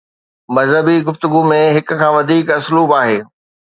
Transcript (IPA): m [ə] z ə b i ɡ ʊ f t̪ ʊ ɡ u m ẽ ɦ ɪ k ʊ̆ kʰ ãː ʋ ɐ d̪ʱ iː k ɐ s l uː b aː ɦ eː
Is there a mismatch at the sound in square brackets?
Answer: yes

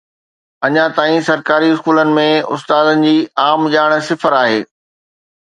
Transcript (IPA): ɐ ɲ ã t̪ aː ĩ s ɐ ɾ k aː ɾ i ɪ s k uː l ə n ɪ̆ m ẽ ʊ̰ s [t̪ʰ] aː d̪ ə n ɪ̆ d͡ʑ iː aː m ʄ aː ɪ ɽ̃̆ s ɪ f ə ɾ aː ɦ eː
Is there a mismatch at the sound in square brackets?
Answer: yes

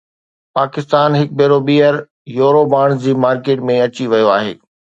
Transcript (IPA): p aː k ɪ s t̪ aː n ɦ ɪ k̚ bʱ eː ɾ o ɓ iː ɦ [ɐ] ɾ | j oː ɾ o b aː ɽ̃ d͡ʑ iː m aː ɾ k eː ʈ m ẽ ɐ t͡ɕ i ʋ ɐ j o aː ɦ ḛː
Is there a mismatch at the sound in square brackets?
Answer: yes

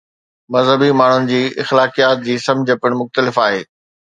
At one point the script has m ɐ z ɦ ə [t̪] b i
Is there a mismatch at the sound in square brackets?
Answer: yes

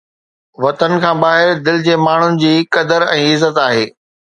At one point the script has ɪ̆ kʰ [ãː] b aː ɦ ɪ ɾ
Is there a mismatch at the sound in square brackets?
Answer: no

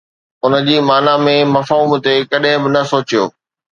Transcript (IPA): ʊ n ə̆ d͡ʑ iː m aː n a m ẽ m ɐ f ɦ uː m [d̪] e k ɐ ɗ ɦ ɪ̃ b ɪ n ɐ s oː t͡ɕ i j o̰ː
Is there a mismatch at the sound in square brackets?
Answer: yes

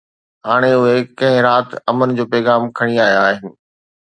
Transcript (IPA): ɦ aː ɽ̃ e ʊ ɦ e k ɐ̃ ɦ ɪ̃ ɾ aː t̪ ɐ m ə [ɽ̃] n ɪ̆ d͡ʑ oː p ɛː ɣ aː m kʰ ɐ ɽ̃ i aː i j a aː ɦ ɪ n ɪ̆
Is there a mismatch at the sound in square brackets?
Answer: yes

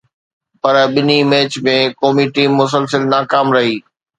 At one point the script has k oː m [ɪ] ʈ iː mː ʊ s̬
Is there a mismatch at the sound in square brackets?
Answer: yes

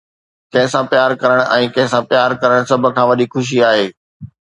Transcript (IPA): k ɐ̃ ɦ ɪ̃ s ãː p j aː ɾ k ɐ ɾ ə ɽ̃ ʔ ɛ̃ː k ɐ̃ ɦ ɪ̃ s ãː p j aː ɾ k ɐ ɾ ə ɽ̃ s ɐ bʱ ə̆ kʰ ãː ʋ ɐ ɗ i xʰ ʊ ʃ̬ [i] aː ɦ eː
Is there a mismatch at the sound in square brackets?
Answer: no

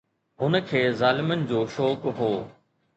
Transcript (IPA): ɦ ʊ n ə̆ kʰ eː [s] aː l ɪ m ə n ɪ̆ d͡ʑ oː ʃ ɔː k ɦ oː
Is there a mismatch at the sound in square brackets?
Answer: yes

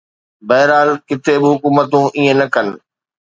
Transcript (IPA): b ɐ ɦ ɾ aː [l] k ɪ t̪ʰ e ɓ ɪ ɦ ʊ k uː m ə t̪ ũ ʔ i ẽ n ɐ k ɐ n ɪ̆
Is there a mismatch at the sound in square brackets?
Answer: no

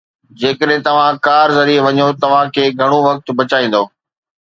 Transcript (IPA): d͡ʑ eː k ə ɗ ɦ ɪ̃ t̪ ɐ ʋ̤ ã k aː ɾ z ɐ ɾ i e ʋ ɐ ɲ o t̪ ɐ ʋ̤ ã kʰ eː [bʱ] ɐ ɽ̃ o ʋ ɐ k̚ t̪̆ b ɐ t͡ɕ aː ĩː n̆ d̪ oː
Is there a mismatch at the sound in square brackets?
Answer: yes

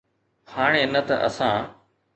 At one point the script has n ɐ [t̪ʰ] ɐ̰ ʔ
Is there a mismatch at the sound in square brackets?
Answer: yes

